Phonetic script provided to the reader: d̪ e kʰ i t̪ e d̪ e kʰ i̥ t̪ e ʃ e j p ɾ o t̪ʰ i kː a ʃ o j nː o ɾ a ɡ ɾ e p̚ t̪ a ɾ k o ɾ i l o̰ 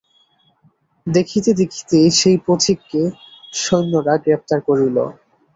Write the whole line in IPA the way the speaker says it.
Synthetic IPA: d̪ e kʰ i t̪ e d̪ e kʰ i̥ t̪ e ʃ e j p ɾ o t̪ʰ i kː e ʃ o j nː o ɾ a ɡ ɾ e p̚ t̪ a ɾ k o ɾ i l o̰